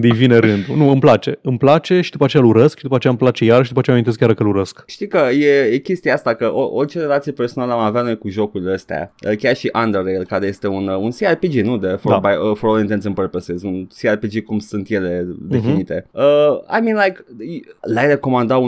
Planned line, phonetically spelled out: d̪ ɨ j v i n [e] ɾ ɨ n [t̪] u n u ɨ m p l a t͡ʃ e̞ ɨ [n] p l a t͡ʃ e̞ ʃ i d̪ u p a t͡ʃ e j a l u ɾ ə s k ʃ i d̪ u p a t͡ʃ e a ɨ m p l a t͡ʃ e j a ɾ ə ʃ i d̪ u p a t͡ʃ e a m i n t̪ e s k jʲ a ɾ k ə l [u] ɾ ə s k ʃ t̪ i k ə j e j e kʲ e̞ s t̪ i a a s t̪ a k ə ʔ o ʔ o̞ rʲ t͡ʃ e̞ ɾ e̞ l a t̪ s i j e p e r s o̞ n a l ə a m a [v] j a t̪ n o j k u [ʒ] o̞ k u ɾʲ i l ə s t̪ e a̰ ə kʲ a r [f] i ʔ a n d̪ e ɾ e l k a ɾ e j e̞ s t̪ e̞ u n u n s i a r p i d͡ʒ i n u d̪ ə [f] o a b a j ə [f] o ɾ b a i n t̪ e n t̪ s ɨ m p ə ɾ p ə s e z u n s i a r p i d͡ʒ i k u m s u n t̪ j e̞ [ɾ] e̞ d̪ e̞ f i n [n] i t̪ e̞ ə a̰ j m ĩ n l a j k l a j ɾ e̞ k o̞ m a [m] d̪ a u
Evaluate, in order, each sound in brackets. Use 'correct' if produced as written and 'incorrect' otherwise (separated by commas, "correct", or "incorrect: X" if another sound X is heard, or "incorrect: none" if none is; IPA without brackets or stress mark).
correct, incorrect: d̪, incorrect: m, correct, correct, correct, incorrect: ʃ, correct, correct, incorrect: l, correct, incorrect: n